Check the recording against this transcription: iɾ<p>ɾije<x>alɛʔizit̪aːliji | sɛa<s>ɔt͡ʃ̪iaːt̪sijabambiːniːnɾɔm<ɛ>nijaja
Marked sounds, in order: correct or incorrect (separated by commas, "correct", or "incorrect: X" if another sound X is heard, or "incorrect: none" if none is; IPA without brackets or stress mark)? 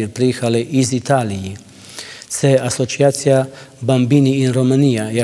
correct, correct, correct, incorrect: a